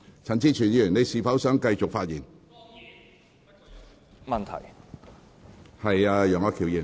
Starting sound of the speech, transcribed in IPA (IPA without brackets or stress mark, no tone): t͡sʰ